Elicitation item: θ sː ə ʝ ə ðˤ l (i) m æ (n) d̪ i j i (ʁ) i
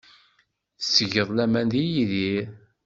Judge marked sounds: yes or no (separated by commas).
no, yes, no